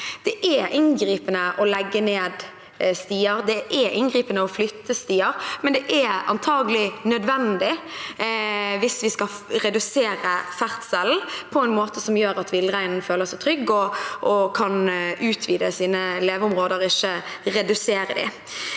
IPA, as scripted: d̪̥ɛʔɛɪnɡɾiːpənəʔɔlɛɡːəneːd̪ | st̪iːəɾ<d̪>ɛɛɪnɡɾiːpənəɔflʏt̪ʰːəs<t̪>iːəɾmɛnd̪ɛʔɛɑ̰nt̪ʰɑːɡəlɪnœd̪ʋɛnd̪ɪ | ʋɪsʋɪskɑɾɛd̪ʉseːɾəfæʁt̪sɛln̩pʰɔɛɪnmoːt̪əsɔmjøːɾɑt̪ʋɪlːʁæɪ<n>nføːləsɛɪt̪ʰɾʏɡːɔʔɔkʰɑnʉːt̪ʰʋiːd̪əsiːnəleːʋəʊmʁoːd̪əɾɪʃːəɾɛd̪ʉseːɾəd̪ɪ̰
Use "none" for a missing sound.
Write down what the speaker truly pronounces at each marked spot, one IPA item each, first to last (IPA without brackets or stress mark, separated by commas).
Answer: d̪, t̪, n